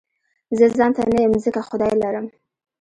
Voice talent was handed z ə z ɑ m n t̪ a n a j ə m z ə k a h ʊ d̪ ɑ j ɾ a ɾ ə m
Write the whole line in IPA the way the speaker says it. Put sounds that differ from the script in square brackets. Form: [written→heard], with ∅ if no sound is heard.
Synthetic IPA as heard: z ə z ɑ [m→∅] n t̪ a n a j ə m z ə k a [h→x] ʊ d̪ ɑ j [ɾ→l] a ɾ ə m